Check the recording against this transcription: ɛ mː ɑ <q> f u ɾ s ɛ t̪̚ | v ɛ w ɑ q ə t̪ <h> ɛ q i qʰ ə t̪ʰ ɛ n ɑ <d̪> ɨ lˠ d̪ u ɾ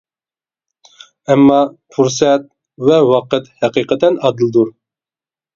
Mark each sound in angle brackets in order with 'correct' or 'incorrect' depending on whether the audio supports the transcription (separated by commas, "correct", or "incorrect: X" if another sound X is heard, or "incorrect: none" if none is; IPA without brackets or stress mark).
incorrect: none, correct, correct